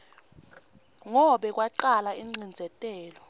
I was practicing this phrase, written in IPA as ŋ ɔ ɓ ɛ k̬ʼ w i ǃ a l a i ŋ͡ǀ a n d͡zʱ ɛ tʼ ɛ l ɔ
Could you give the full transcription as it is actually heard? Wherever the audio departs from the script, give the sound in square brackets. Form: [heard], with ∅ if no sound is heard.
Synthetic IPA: ŋ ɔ ɓ ɛ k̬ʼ w [a] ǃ a l a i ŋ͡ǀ [i] n d͡zʱ ɛ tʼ [ɛː] l ɔ

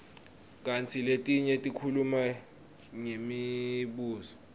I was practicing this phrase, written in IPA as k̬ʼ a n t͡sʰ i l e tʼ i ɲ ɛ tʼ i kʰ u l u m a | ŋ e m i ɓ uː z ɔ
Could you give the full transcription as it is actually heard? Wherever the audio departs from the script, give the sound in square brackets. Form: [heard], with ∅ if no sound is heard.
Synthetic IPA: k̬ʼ a n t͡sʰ i l e tʼ i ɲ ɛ tʼ i kʰ u l u m a | ŋ e m i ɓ uː z ɔ

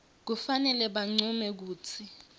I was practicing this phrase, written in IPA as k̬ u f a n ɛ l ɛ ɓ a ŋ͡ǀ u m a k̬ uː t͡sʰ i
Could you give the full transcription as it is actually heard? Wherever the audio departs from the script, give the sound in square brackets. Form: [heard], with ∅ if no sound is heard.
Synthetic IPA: k̬ u f a n ɛ l ɛ ɓ a ŋ͡ǀ u m [ɛ] k̬ uː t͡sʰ i

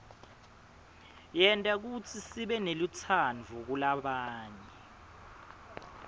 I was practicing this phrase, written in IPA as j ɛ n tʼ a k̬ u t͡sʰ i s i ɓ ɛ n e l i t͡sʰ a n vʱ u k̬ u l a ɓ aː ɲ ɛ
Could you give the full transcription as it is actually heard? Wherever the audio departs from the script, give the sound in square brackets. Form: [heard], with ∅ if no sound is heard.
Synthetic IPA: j ɛ n tʼ a k̬ u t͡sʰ i s i ɓ ɛ n e l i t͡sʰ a n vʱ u k̬ u l a ɓ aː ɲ ɛ

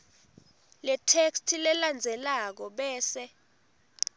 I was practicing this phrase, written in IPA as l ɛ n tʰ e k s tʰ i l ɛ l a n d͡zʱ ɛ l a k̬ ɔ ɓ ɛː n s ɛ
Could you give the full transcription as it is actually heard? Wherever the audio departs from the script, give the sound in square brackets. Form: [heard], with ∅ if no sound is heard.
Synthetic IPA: l ɛ [∅] tʰ e k s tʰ i l ɛ l a n d͡zʱ ɛ l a k̬ ɔ ɓ ɛː [∅] s ɛ

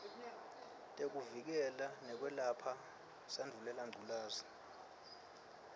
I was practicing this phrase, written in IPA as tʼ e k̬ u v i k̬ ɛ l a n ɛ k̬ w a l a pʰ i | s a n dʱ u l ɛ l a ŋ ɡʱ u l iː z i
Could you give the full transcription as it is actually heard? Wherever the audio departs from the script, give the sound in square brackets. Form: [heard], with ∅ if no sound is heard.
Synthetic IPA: tʼ e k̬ u v i k̬ ɛ l a n ɛ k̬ w [ɛ] l a pʰ [a] | s a n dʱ u l ɛ l a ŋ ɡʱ u l [aː] z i

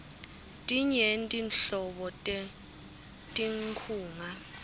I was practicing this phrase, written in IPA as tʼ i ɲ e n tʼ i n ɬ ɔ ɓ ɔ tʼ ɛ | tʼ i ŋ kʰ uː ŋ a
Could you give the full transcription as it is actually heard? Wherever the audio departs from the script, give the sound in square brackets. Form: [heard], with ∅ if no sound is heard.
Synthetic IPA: tʼ i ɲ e n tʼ i n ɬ ɔ ɓ ɔ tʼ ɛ | tʼ i ŋ kʰ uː ŋ a

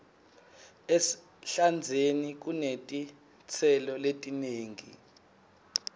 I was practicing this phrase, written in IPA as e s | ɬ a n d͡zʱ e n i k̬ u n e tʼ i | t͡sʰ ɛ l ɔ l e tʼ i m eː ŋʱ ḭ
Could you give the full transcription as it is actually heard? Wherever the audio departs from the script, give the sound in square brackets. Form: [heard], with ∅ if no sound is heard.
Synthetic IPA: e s | ɬ a n d͡zʱ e n i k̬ u n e tʼ i | t͡sʰ ɛ l ɔ l e tʼ i [n] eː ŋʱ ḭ

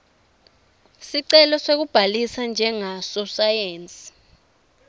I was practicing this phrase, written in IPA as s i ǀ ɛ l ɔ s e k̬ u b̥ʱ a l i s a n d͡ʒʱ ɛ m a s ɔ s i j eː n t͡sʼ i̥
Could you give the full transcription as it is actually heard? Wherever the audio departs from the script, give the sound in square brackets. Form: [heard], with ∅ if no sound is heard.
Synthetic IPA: s i ǀ ɛ l ɔ s e k̬ u b̥ʱ a l i s a n d͡ʒʱ ɛ [ŋ] a s ɔ s [a] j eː n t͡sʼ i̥

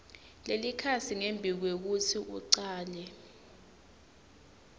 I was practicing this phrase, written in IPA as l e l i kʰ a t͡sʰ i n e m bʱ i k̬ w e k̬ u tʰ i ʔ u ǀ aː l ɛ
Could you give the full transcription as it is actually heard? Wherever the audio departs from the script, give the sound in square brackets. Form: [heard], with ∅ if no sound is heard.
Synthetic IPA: l e l i kʰ a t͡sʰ i [ŋ] e m bʱ i k̬ w e k̬ u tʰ i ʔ u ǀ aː l ɛ

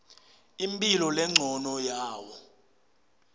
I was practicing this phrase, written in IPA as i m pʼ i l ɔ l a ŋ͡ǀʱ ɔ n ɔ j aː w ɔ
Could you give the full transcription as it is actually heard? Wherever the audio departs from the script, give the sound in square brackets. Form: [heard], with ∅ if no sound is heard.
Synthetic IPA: i m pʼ i l ɔ l [ɛ] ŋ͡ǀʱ ɔ n ɔ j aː w ɔ

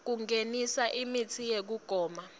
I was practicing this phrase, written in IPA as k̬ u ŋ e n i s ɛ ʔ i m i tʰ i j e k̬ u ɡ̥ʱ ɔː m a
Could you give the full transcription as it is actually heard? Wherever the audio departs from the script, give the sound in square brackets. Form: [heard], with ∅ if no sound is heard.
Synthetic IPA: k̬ u ŋ e n i s [a] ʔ i m i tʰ i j e k̬ u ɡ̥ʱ ɔː m a

